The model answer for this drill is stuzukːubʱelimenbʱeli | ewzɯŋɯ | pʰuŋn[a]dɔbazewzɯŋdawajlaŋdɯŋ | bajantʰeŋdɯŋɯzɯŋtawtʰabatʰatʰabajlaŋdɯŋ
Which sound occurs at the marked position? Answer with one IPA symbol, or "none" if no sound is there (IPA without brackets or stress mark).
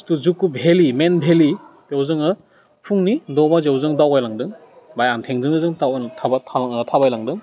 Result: i